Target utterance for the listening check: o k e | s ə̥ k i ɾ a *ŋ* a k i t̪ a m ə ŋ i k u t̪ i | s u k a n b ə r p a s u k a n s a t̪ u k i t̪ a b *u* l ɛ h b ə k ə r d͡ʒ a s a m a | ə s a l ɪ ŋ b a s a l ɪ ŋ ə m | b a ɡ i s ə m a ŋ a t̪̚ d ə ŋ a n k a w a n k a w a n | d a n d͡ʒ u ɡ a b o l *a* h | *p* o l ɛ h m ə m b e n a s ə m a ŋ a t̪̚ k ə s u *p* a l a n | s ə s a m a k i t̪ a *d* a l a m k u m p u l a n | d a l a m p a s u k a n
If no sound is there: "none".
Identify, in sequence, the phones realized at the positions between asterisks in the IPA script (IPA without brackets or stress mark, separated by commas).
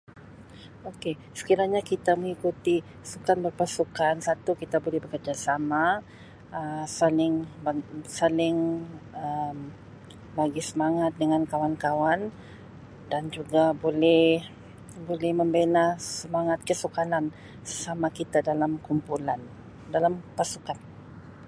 ɲ, o, ɛ, b, k, d